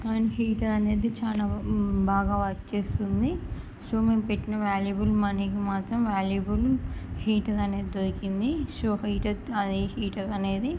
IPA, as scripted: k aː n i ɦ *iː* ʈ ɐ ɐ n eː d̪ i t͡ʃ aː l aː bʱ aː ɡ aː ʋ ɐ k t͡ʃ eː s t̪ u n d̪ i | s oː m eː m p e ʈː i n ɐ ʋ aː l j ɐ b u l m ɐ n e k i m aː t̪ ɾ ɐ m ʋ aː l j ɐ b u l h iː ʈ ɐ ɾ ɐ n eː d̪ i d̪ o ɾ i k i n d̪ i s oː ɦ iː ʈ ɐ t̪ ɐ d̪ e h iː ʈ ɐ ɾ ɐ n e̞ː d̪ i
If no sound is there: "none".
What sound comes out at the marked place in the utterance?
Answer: iː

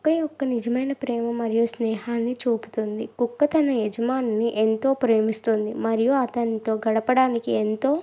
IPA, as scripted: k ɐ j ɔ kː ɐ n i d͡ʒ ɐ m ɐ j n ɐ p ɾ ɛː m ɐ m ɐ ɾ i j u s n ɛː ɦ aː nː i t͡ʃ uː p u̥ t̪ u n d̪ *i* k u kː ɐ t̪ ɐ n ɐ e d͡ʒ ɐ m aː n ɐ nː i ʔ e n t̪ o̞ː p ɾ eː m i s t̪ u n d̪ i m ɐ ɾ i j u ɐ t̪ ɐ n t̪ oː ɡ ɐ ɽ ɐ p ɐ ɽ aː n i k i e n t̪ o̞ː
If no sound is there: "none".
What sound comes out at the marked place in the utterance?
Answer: i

